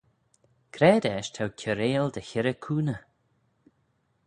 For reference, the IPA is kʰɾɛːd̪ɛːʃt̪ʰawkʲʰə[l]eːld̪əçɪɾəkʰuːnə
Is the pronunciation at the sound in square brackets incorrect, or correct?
incorrect